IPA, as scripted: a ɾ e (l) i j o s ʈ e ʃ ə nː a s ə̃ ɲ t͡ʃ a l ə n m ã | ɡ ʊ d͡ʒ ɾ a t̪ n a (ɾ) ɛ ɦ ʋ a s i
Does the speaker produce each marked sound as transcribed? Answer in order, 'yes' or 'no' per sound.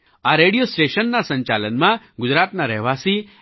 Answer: no, yes

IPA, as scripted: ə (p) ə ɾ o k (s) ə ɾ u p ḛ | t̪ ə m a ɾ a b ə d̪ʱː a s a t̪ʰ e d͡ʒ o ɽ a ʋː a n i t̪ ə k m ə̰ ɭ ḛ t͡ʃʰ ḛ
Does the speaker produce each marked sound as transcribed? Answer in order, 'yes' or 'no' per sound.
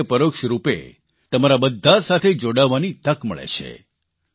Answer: yes, no

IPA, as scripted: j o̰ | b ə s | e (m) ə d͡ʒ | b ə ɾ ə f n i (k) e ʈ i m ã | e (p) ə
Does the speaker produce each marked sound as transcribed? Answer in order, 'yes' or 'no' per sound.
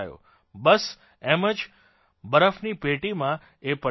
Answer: yes, no, yes

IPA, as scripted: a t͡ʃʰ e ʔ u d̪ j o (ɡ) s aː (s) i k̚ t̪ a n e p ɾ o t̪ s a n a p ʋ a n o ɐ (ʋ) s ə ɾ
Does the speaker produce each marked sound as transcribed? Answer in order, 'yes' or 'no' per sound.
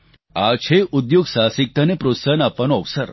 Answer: yes, yes, yes

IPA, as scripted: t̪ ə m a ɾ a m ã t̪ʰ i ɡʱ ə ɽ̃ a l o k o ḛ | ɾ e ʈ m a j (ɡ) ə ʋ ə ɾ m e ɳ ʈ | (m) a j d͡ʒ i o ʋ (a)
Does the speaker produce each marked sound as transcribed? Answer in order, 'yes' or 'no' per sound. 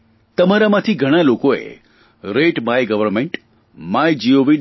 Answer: yes, yes, no

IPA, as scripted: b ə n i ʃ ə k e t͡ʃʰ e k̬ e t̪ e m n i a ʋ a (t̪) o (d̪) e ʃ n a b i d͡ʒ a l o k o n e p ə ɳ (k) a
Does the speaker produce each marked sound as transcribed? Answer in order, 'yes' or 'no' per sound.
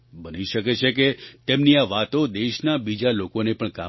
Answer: yes, yes, yes

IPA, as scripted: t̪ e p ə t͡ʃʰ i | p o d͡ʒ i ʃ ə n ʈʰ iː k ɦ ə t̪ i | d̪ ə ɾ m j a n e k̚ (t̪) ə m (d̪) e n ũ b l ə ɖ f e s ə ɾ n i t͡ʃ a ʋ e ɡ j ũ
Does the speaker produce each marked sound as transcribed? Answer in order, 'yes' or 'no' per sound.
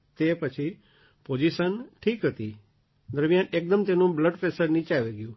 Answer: no, no

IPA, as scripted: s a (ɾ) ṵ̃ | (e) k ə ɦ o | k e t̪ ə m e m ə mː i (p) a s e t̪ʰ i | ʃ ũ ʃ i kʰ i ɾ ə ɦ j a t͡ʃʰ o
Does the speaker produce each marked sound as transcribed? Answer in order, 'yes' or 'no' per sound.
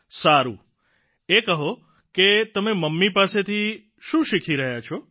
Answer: yes, yes, yes

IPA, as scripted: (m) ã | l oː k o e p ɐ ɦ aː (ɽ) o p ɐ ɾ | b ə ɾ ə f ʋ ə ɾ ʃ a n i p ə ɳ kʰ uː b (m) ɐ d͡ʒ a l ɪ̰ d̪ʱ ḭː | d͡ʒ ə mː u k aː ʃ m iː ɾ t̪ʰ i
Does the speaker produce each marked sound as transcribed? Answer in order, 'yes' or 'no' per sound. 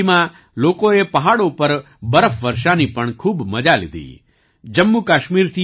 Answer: yes, yes, yes

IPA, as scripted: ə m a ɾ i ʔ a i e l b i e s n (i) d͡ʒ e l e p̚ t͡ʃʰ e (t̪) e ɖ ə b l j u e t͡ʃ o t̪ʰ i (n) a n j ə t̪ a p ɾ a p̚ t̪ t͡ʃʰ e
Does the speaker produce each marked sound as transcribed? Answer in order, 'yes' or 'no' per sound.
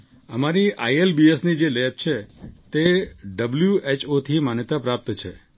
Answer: yes, yes, no

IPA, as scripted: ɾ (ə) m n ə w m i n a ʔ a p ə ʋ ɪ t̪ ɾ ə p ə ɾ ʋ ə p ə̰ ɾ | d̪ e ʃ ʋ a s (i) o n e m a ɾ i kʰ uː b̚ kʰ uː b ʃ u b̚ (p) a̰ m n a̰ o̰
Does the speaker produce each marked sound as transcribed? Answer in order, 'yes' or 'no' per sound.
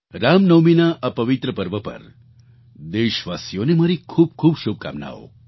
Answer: no, no, no

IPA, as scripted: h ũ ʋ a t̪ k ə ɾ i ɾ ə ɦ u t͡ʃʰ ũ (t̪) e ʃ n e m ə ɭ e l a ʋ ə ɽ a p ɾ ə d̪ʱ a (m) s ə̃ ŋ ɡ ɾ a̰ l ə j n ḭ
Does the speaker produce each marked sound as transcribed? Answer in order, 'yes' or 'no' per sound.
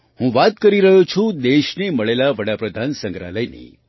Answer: no, no

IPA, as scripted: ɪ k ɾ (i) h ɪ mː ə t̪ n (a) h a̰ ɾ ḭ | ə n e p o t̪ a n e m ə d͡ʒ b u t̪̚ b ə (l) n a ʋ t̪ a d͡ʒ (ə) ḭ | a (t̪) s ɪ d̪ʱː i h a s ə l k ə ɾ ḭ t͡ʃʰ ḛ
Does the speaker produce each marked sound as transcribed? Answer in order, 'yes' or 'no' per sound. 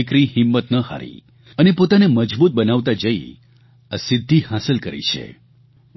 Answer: yes, no, no, yes, no

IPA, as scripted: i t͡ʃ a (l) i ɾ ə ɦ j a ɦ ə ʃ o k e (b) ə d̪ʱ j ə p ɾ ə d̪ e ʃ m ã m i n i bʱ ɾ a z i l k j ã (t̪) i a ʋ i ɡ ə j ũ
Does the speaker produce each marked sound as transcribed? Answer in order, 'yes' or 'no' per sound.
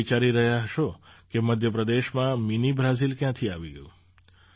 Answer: no, no, no

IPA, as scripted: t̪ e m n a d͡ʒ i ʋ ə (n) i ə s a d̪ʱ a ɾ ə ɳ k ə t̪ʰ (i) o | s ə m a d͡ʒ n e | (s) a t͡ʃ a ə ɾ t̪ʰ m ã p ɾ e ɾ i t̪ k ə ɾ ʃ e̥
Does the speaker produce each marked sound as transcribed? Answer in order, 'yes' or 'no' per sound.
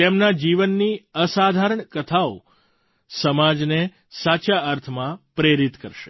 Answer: no, no, yes

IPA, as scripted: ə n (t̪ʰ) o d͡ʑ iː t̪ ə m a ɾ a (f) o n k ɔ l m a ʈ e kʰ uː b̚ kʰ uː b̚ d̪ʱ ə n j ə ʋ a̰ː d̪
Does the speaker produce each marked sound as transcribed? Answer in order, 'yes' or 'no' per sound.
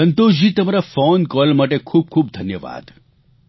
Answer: no, yes

